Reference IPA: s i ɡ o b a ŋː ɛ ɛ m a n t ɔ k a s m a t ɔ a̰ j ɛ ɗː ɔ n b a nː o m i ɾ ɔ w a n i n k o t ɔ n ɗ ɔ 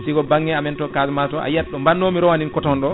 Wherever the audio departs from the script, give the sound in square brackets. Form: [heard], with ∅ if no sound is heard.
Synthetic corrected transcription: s i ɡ [ɔ] b a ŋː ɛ [a] m [ɛ] n t ɔ k a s m a t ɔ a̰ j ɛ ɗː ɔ [m] b a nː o m i ɾ ɔ w a n i n k [ɔ] t ɔ n ɗ ɔ